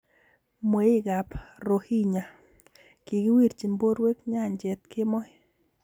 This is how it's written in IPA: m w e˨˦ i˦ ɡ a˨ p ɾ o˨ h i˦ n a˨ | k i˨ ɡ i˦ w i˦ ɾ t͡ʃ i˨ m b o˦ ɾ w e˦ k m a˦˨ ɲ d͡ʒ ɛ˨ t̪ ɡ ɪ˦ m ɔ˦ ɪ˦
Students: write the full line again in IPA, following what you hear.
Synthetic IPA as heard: m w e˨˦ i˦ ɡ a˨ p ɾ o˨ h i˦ ɲ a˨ | k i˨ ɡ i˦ w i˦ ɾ t͡ʃ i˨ m b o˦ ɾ w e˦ k ɲ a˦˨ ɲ d͡ʒ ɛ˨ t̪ k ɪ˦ m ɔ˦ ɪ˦